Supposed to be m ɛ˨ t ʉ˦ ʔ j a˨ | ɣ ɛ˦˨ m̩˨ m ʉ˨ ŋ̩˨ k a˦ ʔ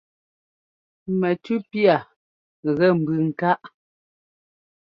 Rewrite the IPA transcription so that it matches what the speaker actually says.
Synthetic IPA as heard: m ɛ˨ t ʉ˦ p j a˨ | ɣ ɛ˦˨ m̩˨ b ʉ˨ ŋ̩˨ k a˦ ʔ